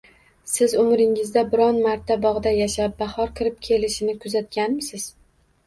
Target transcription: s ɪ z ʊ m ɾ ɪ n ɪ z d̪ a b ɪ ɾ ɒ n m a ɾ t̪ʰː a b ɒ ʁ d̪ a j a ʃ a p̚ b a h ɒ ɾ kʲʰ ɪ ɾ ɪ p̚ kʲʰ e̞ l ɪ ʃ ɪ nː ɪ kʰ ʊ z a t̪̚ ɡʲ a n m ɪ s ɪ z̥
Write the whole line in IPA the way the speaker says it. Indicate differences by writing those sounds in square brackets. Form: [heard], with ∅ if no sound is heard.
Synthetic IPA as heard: s ɪ z ʊ m ɾ ɪ [ŋ] ɪ z d̪ a b ɪ ɾ ɒ n m a ɾ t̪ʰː a b ɒ ʁ d̪ a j a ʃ a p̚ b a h ɒ ɾ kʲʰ ɪ ɾ ɪ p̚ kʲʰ e̞ l ɪ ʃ ɪ [n] ɪ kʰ ʊ z a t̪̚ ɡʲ a n m ɪ s ɪ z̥